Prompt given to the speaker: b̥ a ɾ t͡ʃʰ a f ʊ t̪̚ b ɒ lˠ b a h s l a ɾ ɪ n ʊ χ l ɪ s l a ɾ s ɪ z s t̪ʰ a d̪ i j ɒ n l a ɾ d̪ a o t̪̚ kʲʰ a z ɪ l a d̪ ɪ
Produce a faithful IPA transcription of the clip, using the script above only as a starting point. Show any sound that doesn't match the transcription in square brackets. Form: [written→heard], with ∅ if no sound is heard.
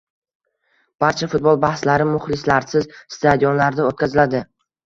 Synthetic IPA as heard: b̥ a ɾ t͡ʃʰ a f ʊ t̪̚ b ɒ lˠ b a h s l a ɾ ɪ [n→m] ʊ χ l ɪ s l a ɾ s ɪ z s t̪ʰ a d̪ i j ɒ n l a ɾ d̪ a o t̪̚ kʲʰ a z ɪ l a d̪ ɪ

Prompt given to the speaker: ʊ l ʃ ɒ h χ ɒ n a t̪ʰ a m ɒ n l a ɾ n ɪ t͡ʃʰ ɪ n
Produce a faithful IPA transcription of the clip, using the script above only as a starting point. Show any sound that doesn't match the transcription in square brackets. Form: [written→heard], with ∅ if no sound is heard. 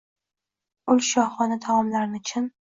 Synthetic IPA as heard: ʊ l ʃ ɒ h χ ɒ n a t̪ʰ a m ɒ [n→m] l a ɾ n ɪ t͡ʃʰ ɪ n

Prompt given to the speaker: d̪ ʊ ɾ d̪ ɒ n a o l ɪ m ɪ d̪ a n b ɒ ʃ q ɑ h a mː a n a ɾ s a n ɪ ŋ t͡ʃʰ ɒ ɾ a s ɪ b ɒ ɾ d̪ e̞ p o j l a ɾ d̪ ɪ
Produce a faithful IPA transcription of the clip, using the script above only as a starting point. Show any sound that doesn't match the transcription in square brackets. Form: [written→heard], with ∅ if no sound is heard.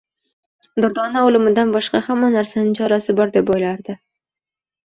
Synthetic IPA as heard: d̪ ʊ ɾ d̪ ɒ n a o l ɪ m ɪ d̪ a n b ɒ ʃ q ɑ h a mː a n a ɾ s a n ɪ ŋ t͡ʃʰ ɒ ɾ a s ɪ b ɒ ɾ d̪ e̞ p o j l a ɾ d̪ ɪ

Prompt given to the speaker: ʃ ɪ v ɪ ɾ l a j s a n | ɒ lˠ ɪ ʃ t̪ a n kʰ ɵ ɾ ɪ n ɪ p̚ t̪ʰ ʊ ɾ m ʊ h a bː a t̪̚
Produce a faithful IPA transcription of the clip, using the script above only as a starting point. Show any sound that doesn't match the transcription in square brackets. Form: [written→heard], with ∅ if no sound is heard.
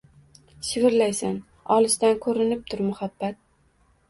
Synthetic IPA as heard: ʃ ɪ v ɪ ɾ l a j s a n | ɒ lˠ ɪ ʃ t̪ a n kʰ ɵ ɾ ɪ n ɪ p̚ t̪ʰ ʊ ɾ m ʊ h a bː a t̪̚

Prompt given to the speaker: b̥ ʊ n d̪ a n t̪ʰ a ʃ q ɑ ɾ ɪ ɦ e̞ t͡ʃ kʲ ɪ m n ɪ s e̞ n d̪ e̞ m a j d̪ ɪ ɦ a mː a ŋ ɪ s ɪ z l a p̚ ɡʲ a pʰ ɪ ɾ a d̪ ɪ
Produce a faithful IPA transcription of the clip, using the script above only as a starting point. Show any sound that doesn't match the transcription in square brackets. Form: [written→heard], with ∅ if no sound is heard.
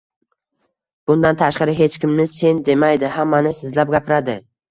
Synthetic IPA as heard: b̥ ʊ n d̪ a n t̪ʰ a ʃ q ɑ ɾ ɪ ɦ e̞ t͡ʃ kʲ ɪ m n ɪ s e̞ n d̪ e̞ m a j d̪ ɪ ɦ a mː a [ŋ→n] ɪ s ɪ z l a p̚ ɡʲ a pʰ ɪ ɾ a d̪ ɪ

